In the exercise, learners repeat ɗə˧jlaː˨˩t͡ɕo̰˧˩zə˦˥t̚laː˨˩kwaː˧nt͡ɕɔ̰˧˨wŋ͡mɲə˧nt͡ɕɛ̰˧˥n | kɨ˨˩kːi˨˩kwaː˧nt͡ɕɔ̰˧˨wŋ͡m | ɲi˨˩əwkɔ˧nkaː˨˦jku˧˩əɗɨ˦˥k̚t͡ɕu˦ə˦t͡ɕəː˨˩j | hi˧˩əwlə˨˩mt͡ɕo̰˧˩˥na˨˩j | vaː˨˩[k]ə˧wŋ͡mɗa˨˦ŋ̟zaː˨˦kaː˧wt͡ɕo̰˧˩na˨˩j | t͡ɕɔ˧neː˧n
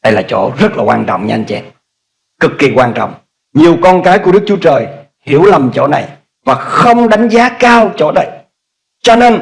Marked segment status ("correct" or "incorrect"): incorrect